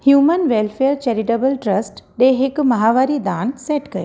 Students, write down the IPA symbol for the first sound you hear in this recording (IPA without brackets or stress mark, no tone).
h